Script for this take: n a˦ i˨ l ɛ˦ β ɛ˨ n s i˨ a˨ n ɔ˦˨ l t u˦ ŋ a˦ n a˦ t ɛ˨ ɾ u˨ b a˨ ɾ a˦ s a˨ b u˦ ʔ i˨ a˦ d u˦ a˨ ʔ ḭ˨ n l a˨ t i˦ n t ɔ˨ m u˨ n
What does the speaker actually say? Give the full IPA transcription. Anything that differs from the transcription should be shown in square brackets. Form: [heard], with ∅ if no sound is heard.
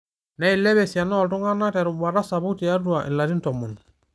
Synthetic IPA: n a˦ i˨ l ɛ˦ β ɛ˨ [∅] s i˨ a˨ n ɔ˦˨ l t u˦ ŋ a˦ n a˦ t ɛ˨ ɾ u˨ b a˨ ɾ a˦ s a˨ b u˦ [t] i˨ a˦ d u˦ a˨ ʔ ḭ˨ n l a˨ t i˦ n t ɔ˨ m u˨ n